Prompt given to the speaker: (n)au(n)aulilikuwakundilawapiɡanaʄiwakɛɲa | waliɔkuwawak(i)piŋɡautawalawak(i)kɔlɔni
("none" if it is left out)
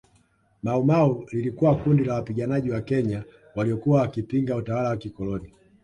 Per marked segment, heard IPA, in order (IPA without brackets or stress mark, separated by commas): m, m, i, i